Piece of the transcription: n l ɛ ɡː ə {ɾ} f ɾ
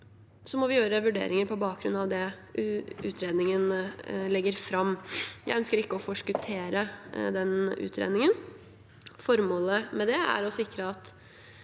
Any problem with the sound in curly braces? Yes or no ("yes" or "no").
no